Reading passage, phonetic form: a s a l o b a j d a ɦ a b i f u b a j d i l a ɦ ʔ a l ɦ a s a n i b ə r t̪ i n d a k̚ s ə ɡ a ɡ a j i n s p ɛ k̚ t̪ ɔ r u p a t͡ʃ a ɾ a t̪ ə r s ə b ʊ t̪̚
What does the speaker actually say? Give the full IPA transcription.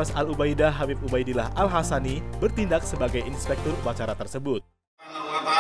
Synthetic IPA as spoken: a s a l u b a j d a ɦ a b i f u b a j d i l a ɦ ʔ a l ɦ a s a n i b ə r t̪ i n d a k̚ s ə b a ɡ a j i n s p ɛ k̚ t̪ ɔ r u p a t͡ʃ a ɾ a t̪ ə r s ə b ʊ t̪̚